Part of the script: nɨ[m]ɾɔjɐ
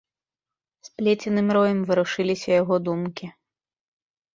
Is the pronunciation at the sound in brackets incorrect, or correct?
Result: correct